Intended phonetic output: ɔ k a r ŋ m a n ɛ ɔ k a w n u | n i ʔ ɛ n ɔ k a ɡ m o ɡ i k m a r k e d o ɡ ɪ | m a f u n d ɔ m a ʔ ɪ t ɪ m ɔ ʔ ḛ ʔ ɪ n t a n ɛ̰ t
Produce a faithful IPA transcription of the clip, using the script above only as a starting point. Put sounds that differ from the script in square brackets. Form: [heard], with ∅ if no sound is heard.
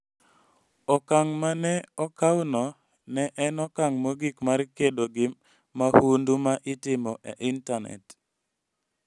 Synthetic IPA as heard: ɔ k a [∅] ŋ m a n ɛ ɔ k a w n [ɔ] | n [ɛ] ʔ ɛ n ɔ k a [ŋ] m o ɡ i k m a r k e d o ɡ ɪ | m a [h] u n d [u] m a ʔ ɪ t ɪ m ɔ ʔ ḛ ʔ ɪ n t a n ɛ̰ t

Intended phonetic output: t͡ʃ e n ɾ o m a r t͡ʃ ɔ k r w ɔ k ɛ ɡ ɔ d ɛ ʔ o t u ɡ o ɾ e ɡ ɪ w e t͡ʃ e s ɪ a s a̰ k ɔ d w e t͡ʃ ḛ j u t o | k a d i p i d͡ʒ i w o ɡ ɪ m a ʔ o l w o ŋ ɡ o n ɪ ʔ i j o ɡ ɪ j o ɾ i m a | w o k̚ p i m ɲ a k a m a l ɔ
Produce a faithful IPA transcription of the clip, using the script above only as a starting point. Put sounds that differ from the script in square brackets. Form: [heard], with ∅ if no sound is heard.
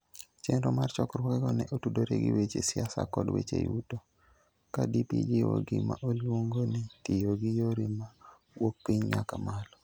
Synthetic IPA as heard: t͡ʃ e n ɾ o m a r t͡ʃ ɔ k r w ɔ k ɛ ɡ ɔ [n] ɛ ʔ o t u [d] o ɾ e ɡ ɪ w e t͡ʃ e s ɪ a s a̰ k ɔ d w e t͡ʃ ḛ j u t o | k a d i p i d͡ʒ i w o ɡ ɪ m a ʔ o l w o ŋ ɡ o n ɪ [t] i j o ɡ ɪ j o ɾ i m a | w o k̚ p i [ɲ] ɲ a k a m a l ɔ

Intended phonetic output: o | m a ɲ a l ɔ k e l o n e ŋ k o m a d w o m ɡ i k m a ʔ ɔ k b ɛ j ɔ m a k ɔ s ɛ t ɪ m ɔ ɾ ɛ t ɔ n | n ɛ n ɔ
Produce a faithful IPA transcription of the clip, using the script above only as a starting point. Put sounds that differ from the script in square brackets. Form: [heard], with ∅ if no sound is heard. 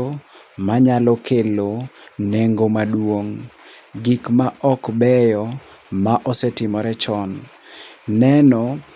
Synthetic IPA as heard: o | m a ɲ a l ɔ k e l o n e ŋ [ɡ] o m a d w o [ŋ] ɡ i k m a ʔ ɔ k b ɛ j ɔ m a [ʔ] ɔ s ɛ t ɪ m ɔ ɾ ɛ [t͡ʃ] ɔ n | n ɛ n ɔ

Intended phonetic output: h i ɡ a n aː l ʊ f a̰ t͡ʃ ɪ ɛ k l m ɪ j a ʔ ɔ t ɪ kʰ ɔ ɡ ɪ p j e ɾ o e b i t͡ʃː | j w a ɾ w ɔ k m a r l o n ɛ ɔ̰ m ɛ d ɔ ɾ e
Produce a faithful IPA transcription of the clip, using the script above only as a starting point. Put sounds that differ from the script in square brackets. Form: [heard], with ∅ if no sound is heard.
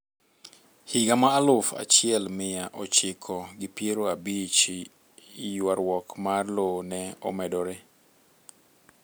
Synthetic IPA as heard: h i ɡ a [m] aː l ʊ f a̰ t͡ʃ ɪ ɛ [∅] l m ɪ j a ʔ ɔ [t͡ʃ] ɪ kʰ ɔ ɡ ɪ p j e ɾ o [a] b i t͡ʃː | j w a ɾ w ɔ k m a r l o n ɛ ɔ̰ m ɛ d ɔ ɾ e

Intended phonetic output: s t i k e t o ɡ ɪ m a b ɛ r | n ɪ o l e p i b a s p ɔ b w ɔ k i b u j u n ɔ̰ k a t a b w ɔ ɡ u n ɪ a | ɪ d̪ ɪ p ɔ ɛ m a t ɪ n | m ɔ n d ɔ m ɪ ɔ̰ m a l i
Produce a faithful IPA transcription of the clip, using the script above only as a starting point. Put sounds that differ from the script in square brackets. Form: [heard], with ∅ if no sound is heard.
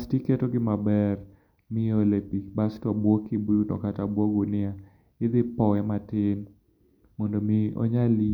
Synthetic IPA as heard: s t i k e t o ɡ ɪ m a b ɛ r | [m] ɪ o l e p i b a s [t] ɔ b w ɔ k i b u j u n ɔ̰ k a t a b w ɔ ɡ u n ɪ a | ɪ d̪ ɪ p ɔ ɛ m a t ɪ n | m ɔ n d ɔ m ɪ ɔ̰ [ɲ] a l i

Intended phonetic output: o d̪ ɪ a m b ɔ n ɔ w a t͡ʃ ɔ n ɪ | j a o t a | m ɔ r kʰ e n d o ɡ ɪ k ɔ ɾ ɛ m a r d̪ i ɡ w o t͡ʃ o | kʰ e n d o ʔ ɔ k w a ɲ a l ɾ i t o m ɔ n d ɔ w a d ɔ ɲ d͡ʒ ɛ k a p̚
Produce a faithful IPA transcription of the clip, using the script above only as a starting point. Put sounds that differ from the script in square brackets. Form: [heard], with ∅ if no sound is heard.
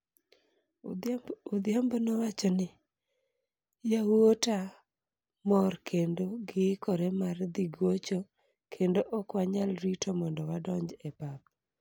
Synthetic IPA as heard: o d̪ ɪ a m b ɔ n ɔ w a t͡ʃ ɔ n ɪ | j a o t a | m ɔ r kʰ e n d o ɡ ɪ k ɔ ɾ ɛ m a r d̪ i ɡ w o t͡ʃ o | kʰ e n d o ʔ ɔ k w a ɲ a l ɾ i t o m ɔ n d ɔ w a d ɔ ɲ d͡ʒ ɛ [p] a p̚

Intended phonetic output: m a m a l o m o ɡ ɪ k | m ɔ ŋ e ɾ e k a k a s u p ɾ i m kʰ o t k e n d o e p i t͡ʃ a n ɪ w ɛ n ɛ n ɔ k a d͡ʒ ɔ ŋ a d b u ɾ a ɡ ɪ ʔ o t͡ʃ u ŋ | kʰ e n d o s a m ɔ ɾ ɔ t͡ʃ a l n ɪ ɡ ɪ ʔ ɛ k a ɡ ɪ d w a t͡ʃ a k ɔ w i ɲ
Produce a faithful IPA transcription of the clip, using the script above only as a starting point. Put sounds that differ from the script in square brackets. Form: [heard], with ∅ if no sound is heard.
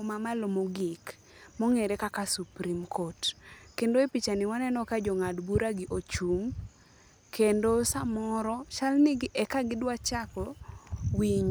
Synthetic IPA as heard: m a m a l o m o ɡ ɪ k | m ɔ ŋ e ɾ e k a k a s u p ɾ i m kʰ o t k e n d o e p i t͡ʃ a n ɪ w [a] n ɛ n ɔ k a d͡ʒ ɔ ŋ a d b u ɾ a ɡ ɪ ʔ o t͡ʃ u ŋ | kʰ e n d o s a m ɔ ɾ ɔ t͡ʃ a l n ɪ ɡ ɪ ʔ ɛ k a ɡ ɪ d w a t͡ʃ a k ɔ w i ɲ

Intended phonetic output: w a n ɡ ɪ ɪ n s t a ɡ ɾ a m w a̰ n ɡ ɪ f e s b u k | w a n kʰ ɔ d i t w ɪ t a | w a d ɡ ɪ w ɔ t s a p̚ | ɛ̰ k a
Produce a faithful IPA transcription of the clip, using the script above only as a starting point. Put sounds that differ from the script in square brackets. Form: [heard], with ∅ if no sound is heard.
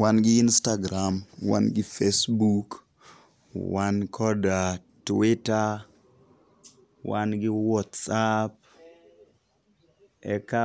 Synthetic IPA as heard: w a n ɡ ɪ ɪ n s t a ɡ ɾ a m w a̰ n ɡ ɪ f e s b u k | w a n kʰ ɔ d [a] t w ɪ t a | w a [n] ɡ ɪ w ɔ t s a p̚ | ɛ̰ k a

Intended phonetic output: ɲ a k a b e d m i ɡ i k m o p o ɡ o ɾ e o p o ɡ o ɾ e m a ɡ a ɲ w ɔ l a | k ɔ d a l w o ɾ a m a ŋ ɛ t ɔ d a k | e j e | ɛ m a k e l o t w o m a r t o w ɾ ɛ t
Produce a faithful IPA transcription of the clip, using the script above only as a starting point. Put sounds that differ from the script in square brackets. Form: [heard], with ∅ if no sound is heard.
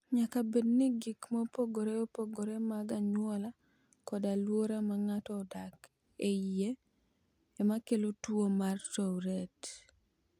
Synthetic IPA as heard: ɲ a k a b e d [n] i ɡ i k m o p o ɡ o ɾ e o p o ɡ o ɾ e m a ɡ a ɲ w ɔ l a | k ɔ d a l w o ɾ a m a ŋ [a] t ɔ d a k | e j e | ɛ m a k e l o t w o m a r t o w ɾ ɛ t

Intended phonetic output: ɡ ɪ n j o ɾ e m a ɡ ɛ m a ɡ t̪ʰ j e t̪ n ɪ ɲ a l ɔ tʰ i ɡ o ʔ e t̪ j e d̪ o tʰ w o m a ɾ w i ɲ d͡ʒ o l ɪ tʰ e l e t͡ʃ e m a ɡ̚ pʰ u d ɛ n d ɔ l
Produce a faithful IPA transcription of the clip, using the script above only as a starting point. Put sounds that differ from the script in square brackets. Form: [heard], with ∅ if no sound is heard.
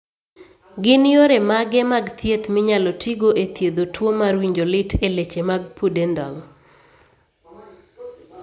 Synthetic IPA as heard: ɡ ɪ n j o ɾ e m a ɡ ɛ m a ɡ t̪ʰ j e t̪ [m] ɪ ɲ a l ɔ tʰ i ɡ o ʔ e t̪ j e d̪ o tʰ w o m a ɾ w i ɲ d͡ʒ o l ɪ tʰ e l e t͡ʃ e m a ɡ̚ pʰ u d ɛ n d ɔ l

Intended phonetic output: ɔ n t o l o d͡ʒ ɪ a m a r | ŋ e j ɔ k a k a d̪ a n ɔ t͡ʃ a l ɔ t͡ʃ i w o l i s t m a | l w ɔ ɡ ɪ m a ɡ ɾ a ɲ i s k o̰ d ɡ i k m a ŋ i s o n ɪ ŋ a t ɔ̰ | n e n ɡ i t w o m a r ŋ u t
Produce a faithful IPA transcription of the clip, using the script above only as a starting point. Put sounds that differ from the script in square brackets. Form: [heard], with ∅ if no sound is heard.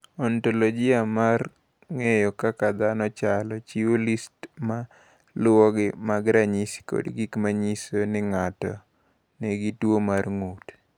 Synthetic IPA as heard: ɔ n t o l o d͡ʒ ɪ a m a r | ŋ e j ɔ k a k a d̪ a n ɔ t͡ʃ a l ɔ t͡ʃ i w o l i s t m a | l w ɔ ɡ ɪ m a ɡ ɾ a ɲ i s k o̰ d ɡ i k m a [ɲ] i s o n ɪ ŋ a t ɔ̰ | n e [∅] ɡ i t w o m a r ŋ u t

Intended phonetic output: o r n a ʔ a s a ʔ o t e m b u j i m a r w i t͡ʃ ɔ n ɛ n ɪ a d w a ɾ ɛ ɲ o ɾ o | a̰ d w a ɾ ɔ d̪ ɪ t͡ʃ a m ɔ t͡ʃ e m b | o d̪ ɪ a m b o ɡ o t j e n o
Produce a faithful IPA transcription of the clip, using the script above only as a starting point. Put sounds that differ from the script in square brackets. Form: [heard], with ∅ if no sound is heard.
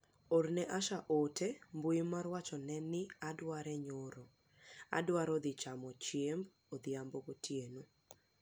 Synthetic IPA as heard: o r n [ɛ] ʔ a [ʃ] a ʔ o t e m b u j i m a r w [a] t͡ʃ ɔ n ɛ n ɪ a d w a ɾ ɛ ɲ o ɾ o | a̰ d w a ɾ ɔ d̪ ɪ t͡ʃ a m ɔ t͡ʃ e m b | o d̪ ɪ a m b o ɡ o t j e n o

